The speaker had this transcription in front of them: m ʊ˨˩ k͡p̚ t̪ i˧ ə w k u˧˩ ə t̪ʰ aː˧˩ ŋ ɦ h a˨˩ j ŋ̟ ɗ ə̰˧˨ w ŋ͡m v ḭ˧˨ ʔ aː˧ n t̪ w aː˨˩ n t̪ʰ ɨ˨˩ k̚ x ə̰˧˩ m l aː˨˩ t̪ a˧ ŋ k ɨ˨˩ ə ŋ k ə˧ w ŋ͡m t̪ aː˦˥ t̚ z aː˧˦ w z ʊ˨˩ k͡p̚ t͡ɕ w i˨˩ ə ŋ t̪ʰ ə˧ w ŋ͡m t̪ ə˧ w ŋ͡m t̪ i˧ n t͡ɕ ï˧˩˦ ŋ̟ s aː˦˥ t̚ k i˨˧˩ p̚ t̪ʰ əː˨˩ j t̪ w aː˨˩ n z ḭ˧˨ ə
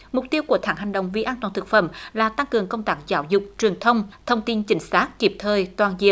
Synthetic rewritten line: m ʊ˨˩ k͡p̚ t̪ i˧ ə w k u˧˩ ə t̪ʰ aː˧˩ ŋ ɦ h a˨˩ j ŋ̟ ɗ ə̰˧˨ w ŋ͡m v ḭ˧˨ ʔ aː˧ n t̪ w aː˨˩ n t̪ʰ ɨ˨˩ k̚ f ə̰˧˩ m l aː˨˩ t̪ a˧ ŋ k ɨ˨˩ ə ŋ k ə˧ w ŋ͡m t̪ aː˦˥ k̚ z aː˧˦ w z ʊ˨˩ k͡p̚ t͡ɕ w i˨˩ ə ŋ t̪ʰ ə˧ w ŋ͡m t̪ʰ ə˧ w ŋ͡m t̪ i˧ n t͡ɕ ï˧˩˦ ŋ̟ s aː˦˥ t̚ k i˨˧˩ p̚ t̪ʰ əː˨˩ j t̪ w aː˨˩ n z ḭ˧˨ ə